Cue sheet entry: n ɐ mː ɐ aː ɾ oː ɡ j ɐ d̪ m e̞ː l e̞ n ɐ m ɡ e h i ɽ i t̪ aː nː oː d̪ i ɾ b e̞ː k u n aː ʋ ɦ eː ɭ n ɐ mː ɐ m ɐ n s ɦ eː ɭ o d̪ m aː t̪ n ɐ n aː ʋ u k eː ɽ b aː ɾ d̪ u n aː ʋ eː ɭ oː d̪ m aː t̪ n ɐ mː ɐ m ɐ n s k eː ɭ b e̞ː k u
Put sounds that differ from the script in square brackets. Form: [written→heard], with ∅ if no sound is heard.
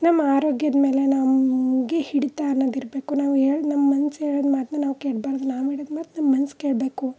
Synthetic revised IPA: n ɐ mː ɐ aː ɾ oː ɡ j ɐ d̪ m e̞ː l e̞ n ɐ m ɡ e h i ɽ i t̪ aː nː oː d̪ i ɾ b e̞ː k u n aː ʋ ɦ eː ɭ n ɐ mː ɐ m ɐ n s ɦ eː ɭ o d̪ m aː t̪ n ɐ n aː ʋ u k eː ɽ b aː ɾ d̪ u n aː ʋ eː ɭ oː d̪ m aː t̪ n ɐ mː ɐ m ɐ n s k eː ɭ b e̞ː k u